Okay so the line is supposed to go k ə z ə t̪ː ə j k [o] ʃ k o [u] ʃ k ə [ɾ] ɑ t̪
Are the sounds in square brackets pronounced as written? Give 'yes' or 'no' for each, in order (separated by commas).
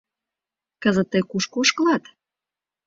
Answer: no, no, no